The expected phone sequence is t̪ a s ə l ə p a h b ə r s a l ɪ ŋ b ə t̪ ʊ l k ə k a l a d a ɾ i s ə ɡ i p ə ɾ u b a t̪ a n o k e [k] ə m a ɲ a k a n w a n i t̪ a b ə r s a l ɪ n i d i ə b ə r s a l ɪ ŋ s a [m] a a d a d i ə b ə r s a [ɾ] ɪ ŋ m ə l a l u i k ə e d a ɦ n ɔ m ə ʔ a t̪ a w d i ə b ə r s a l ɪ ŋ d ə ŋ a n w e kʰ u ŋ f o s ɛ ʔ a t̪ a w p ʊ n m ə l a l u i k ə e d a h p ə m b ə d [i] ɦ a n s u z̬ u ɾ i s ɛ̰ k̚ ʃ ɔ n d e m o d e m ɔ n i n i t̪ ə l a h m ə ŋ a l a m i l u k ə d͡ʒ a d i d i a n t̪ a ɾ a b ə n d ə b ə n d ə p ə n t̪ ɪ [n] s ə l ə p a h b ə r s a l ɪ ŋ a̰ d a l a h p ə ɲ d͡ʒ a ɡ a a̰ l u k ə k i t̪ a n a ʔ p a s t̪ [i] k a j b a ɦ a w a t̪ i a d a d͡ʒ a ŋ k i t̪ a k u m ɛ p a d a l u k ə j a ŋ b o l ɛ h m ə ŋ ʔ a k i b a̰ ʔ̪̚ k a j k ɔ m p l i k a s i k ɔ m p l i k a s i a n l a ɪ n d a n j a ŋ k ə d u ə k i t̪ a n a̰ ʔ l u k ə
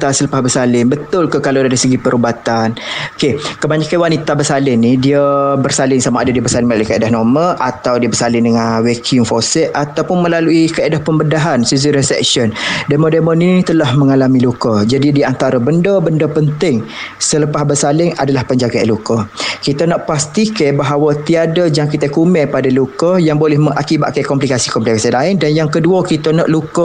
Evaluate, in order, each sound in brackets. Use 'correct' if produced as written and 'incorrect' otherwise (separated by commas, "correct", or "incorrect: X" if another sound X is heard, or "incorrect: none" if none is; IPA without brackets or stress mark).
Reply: correct, correct, incorrect: l, incorrect: a, incorrect: ŋ, correct